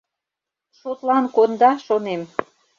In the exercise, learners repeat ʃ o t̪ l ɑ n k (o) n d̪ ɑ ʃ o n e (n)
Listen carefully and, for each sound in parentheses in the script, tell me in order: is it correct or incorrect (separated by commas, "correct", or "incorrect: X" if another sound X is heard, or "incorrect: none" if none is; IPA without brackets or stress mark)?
correct, incorrect: m